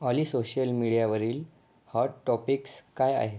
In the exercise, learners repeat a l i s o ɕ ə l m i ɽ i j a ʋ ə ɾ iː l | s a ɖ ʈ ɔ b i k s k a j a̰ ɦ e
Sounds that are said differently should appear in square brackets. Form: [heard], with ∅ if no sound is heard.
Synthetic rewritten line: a l i s o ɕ ə l m i ɽ i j a ʋ ə ɾ iː l | [h] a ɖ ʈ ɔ [p] i k s k a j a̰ ɦ e